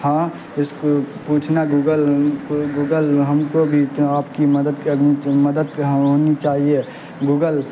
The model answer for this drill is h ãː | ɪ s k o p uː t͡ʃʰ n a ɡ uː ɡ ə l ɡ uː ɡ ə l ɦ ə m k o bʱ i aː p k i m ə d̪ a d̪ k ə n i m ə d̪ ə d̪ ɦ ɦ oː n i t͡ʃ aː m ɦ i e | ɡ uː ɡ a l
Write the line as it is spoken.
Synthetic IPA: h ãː | ɪ s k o p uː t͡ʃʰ n a ɡ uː ɡ ə l ɡ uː ɡ ə l ɦ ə m k o bʱ i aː p k i m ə d̪ ə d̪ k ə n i m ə d̪ ə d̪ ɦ ɦ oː n i t͡ʃ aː ɦ i e | ɡ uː ɡ ə l